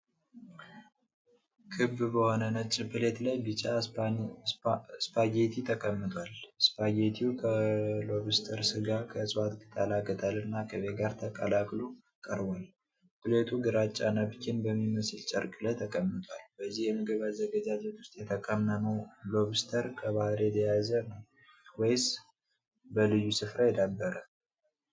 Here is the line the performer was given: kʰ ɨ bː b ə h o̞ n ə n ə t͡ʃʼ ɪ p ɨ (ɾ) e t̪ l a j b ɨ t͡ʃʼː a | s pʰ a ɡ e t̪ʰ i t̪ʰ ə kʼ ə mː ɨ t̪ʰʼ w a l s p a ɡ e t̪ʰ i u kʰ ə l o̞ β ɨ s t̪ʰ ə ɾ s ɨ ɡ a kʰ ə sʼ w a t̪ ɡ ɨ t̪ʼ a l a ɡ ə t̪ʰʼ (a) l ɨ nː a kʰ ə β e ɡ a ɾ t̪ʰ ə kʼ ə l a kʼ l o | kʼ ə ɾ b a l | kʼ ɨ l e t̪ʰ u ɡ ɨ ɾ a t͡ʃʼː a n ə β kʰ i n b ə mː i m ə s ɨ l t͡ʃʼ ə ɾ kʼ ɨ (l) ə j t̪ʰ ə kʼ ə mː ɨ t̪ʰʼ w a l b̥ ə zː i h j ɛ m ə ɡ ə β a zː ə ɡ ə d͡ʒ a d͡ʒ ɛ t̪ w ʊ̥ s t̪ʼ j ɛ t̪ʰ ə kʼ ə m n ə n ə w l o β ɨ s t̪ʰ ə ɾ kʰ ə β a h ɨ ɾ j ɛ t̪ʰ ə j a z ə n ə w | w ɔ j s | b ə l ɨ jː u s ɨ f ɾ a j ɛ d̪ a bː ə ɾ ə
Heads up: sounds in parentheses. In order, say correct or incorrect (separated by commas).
incorrect, correct, correct